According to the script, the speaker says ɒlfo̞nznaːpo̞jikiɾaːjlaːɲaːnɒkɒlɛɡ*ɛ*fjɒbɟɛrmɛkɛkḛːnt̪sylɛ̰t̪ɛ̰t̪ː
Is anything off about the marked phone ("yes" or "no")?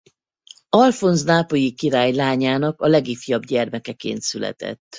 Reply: yes